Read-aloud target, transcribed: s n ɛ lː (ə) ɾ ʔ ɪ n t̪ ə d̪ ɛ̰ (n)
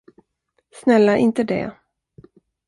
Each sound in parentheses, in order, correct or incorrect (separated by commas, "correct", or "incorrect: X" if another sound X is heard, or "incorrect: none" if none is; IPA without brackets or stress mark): incorrect: a, incorrect: none